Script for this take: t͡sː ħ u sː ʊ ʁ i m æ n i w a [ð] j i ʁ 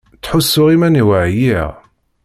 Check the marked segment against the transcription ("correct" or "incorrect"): incorrect